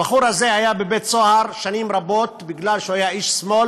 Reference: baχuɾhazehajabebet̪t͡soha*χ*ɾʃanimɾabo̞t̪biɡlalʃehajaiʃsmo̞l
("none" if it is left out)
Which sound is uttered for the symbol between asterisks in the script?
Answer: none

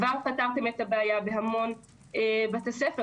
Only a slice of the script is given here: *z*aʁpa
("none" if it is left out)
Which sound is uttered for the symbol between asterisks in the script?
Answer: v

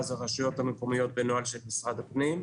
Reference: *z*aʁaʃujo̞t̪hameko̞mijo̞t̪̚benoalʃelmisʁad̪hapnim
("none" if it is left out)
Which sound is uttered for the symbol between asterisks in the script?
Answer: z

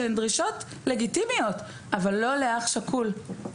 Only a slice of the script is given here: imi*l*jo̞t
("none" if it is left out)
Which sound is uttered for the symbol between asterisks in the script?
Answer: none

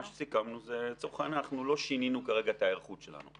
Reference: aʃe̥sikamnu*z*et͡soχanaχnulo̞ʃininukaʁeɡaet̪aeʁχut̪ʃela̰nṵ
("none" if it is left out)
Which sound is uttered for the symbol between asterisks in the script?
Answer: z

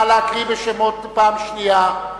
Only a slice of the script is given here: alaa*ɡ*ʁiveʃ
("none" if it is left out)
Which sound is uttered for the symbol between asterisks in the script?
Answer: k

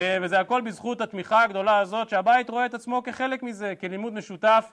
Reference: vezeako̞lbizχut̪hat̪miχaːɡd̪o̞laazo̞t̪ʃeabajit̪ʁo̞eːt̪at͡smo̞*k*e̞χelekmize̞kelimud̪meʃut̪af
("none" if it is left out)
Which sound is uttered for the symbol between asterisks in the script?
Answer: k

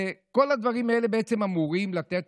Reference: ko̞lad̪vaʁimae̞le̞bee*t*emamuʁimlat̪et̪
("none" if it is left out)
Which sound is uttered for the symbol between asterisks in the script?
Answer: t͡s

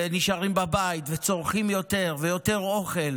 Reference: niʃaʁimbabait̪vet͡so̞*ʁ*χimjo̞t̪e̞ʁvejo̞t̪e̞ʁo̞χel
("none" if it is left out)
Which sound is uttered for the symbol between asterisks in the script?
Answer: ʁ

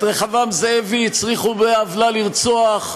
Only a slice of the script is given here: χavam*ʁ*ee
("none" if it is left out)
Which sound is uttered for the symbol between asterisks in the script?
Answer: z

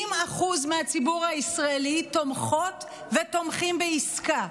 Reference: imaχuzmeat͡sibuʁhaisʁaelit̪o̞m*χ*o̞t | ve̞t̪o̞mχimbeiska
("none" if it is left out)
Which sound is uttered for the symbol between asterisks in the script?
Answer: χ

